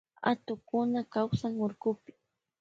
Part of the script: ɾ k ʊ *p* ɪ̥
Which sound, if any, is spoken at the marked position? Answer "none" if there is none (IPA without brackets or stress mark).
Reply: p